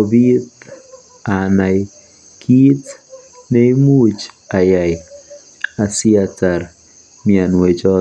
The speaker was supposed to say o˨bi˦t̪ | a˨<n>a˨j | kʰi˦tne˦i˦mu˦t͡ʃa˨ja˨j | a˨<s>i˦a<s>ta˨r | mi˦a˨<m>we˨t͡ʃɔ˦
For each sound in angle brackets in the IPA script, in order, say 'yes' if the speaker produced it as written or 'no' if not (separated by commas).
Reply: yes, yes, no, no